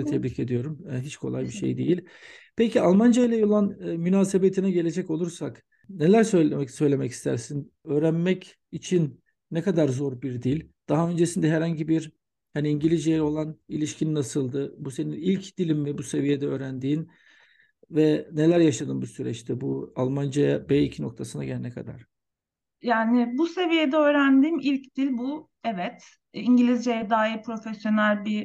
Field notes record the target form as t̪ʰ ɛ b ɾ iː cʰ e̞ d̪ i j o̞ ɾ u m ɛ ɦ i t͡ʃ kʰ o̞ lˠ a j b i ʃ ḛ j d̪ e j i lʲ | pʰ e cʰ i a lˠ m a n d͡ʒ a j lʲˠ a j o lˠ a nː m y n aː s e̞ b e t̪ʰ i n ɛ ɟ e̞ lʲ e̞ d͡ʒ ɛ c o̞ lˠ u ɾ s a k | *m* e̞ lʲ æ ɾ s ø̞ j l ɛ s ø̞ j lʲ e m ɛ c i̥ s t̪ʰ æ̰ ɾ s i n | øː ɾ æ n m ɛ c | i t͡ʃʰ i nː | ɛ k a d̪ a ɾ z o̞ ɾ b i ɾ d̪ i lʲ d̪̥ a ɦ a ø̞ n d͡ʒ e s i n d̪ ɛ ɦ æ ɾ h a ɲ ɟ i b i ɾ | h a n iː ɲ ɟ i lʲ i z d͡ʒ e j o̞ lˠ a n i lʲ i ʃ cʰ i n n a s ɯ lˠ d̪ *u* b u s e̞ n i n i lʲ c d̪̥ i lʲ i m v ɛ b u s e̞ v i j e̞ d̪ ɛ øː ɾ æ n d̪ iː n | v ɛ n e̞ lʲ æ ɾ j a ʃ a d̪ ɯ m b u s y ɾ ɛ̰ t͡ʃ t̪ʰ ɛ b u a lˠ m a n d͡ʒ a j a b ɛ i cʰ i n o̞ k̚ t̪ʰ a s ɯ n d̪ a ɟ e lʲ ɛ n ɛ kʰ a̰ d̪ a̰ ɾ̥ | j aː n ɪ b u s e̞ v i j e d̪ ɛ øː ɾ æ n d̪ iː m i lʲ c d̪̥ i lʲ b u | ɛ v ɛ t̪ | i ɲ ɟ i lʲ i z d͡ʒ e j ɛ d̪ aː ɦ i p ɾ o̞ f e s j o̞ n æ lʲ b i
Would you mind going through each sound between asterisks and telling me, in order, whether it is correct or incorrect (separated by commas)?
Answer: incorrect, incorrect